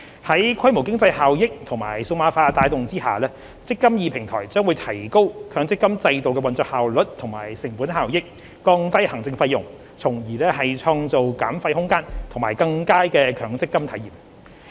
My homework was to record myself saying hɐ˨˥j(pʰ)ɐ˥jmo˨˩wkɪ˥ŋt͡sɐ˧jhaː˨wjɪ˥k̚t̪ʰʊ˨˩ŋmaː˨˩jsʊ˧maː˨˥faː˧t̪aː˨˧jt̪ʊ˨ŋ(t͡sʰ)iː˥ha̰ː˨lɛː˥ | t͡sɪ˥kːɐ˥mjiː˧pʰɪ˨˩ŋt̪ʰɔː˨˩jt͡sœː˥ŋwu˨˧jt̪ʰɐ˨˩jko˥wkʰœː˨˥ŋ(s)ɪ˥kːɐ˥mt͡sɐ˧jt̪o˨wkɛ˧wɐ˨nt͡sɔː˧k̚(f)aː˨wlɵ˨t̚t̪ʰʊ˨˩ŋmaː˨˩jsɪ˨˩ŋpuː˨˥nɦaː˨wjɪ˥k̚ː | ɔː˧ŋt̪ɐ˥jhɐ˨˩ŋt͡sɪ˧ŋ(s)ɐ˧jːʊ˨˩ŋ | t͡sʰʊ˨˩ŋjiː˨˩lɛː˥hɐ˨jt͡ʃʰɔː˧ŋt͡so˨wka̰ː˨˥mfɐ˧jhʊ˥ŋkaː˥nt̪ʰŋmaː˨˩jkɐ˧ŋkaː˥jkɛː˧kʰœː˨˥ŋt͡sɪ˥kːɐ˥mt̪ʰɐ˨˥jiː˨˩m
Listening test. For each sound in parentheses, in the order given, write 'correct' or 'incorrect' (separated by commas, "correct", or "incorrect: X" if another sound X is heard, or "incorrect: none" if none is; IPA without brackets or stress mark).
incorrect: kʰ, incorrect: t͡s, incorrect: t͡s, incorrect: h, incorrect: f